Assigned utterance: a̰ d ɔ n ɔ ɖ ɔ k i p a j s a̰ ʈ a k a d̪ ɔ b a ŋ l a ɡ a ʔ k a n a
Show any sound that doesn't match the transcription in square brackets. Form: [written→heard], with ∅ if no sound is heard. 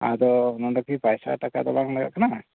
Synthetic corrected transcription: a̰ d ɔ n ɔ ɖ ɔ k i p a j s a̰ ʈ a k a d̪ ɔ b a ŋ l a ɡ a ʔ k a n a